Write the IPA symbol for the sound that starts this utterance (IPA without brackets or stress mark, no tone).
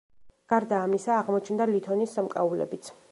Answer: ɡ̥